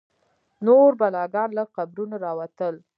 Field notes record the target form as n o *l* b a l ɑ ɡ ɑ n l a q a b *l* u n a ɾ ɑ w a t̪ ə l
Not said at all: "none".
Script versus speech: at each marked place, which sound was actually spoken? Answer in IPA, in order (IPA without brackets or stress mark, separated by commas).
ɾ, ɾ